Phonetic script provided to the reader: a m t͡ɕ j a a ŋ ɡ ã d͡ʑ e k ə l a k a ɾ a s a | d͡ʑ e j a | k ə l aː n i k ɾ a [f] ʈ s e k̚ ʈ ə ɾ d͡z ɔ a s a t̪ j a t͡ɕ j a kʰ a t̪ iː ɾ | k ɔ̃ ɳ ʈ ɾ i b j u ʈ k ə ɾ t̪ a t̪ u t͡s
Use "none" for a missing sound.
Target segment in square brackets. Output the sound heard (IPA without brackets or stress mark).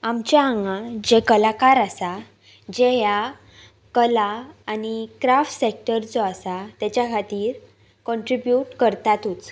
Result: f